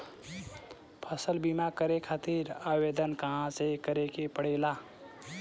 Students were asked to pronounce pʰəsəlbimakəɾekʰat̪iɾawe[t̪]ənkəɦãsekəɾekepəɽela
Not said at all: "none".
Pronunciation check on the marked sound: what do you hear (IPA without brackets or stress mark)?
d̪